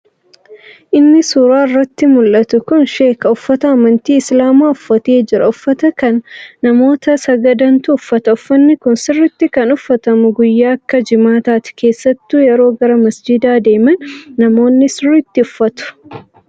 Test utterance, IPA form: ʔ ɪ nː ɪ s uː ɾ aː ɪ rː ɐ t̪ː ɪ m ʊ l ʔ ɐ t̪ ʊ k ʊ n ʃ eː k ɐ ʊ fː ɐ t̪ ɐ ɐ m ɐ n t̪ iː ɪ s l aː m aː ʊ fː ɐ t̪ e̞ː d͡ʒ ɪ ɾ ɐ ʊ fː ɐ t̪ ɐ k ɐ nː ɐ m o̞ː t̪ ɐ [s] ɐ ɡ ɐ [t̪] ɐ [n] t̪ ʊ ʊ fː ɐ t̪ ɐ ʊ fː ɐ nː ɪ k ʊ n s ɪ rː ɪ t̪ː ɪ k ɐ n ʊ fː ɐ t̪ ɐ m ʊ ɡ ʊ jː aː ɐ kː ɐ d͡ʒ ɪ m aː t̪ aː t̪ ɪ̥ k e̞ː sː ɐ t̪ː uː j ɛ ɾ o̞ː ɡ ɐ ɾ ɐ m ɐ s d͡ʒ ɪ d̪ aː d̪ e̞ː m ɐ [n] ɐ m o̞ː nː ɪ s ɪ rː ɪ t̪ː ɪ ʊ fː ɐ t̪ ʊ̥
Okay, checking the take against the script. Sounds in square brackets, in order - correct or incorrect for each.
correct, incorrect: d̪, correct, incorrect: nː

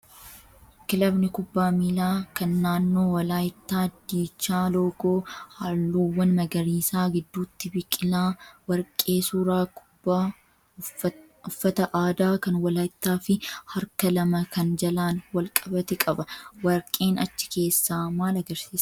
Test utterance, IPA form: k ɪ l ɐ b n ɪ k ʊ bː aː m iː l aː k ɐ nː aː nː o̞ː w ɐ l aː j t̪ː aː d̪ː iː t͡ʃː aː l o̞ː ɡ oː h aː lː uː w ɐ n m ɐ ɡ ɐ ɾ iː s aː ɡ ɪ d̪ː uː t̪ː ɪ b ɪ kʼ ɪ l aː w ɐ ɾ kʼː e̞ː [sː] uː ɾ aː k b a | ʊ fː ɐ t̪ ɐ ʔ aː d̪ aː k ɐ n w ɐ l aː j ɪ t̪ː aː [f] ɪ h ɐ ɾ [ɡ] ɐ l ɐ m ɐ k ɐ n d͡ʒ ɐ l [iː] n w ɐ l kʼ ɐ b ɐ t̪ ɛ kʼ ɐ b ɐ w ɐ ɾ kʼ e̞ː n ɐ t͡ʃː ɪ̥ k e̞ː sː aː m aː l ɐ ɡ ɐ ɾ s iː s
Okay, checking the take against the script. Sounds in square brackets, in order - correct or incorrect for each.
incorrect: s, correct, incorrect: k, incorrect: aː

